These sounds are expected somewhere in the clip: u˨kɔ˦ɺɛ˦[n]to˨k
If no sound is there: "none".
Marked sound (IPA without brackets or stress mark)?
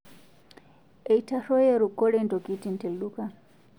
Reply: n